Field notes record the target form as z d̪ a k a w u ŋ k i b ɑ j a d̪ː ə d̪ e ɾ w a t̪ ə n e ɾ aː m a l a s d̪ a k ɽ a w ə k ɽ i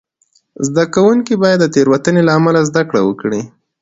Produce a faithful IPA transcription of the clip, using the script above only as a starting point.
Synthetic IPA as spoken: z d̪ a k a w u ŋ k i b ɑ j a d̪ː ə t̪ e ɾ w a t̪ ə n e l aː m a l a z d̪ a k ɽ a w ə k ɽ i